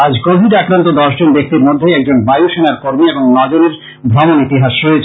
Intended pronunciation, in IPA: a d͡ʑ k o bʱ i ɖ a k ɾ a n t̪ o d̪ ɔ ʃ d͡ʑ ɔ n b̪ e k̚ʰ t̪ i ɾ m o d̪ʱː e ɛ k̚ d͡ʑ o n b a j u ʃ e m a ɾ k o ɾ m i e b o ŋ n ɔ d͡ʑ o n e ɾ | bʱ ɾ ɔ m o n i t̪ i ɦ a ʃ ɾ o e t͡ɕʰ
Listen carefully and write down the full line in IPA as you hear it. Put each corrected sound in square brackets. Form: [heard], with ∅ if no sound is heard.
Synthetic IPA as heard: a d͡ʑ k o bʱ i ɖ a k ɾ a n t̪ o d̪ ɔ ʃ d͡ʑ [o] n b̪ e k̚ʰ t̪ i ɾ m o d̪ʱː e ɛ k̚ d͡ʑ o n b a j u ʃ e [n] a ɾ k o ɾ m i e b o ŋ n ɔ d͡ʑ o n e ɾ | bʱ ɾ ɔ m o n i t̪ i ɦ a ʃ ɾ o e t͡ɕʰ